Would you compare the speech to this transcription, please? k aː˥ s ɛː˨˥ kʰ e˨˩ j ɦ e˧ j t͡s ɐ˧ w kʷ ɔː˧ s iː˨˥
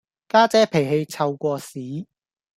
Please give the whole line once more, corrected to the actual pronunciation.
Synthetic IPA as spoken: k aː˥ t͡s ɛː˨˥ pʰ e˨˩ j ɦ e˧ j t͡sʰ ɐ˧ w kʷ ɔː˧ s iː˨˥